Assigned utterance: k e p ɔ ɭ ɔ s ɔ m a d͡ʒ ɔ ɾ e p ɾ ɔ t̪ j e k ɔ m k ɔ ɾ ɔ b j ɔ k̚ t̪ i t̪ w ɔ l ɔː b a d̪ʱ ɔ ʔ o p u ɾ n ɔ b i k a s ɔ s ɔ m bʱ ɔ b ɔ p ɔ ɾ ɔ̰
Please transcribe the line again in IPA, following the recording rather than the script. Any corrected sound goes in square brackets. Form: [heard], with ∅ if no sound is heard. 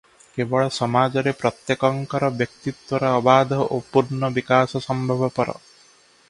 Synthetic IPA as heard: k e [b] ɔ ɭ ɔ s ɔ m a d͡ʒ ɔ ɾ e p ɾ ɔ t̪ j e k ɔ [ŋ] k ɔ ɾ ɔ b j ɔ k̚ t̪ i t̪ w ɔ [ɾ] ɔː b a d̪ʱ ɔ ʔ o p u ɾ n ɔ b i k a s ɔ s ɔ m bʱ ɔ b ɔ p ɔ ɾ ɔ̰

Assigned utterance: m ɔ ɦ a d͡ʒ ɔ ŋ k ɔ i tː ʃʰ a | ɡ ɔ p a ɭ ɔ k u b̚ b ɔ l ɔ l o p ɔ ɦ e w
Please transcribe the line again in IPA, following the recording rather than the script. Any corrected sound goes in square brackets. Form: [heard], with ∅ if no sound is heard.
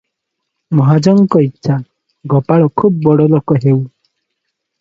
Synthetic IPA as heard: m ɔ ɦ a d͡ʒ ɔ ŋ k ɔ i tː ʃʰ a | ɡ ɔ p a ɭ ɔ [kʰ] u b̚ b ɔ [ɽ] ɔ l o [k] ɔ ɦ e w

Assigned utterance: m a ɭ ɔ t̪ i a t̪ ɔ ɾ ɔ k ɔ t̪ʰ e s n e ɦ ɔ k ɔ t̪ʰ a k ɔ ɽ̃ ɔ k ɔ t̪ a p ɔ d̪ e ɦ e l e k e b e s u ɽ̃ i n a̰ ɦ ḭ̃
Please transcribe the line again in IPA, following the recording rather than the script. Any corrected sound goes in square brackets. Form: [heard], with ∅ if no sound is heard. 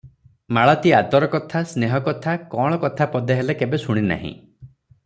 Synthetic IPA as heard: m a ɭ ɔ t̪ i a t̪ ɔ ɾ ɔ k ɔ t̪ʰ [a] s n e ɦ ɔ k ɔ t̪ʰ a k ɔ ɽ̃ ɔ k ɔ [t̪ʰ] a p ɔ d̪ e ɦ e l e k e b e s u ɽ̃ i n a̰ ɦ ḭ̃

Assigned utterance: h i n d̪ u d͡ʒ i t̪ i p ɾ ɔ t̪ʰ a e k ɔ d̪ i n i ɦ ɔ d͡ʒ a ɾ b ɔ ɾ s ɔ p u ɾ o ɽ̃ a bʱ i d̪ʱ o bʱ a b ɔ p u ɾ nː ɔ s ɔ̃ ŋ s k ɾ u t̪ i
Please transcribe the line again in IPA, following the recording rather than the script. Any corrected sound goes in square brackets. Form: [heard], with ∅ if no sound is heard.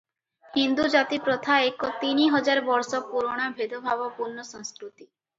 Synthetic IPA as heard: h i n d̪ u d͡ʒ [a] t̪ i p ɾ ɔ t̪ʰ a e k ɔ [t̪] i n i ɦ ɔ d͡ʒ a ɾ b ɔ ɾ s ɔ p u ɾ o ɽ̃ a bʱ [e] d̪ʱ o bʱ a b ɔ p u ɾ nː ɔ s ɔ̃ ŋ s k ɾ u t̪ i

